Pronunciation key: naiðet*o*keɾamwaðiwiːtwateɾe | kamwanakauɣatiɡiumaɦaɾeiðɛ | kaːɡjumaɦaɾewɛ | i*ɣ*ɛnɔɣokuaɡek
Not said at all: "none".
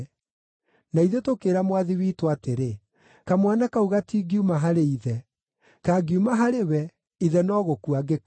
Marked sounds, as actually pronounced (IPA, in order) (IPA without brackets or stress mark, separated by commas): o, ð